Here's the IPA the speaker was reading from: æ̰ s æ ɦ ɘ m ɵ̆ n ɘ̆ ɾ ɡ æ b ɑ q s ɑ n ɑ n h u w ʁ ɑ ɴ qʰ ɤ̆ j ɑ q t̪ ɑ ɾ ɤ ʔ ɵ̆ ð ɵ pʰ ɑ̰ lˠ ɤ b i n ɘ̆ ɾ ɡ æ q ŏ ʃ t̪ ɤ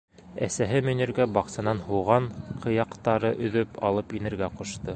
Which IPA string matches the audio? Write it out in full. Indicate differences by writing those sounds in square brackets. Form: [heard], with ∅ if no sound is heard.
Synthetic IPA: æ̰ s æ ɦ ɘ m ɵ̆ n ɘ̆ ɾ ɡ æ b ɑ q s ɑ n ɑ n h u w ʁ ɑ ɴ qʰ ɤ̆ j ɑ q t̪ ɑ ɾ ɤ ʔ ɵ̆ ð ɵ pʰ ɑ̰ lˠ ɤ [p] i n ɘ̆ ɾ ɡ æ q ŏ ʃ t̪ ɤ